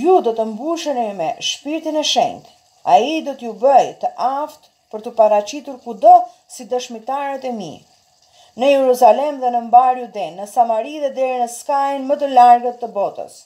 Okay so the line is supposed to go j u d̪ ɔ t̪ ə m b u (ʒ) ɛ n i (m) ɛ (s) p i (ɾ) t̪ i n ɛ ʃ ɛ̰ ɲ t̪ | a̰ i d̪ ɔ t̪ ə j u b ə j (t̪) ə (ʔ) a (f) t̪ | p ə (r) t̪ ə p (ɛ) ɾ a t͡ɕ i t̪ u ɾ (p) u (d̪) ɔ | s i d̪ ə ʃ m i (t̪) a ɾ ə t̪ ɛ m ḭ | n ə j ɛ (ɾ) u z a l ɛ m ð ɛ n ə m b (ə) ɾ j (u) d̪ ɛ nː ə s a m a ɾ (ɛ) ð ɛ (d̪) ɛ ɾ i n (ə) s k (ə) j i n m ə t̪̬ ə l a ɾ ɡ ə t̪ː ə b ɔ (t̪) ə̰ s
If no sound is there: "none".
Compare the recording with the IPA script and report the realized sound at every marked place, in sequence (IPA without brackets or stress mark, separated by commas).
ʃ, m, ʃ, ɾ, t̪, ʔ, f, ɾ, a, k, d̪, t̪, ɾ, a, u, i, d̪, ə, a, t̪